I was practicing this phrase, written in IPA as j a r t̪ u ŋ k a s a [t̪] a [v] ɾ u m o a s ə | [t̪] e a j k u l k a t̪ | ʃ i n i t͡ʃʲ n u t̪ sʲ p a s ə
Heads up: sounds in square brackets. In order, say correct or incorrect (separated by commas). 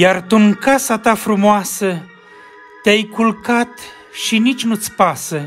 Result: correct, incorrect, correct